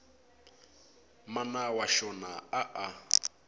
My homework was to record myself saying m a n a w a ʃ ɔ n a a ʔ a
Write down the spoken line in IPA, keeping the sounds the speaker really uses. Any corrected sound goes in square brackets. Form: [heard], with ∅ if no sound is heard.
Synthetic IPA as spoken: m a n a w a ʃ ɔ n a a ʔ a